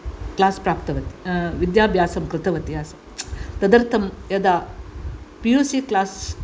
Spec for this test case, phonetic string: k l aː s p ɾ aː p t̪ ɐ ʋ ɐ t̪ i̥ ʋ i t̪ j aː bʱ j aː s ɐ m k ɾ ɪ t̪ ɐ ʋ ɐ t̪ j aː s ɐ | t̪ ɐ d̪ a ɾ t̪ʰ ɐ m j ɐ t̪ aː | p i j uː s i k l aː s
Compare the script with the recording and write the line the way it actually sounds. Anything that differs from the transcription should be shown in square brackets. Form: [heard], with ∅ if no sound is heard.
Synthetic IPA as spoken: k l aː s p ɾ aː p t̪ ɐ ʋ ɐ t̪ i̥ ʋ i [d̪] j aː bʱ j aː s ɐ m k ɾ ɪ t̪ ɐ ʋ ɐ t̪ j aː s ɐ | t̪ ɐ d̪ [ɐ] ɾ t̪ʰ ɐ m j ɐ [d̪] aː | p i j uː s i k l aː s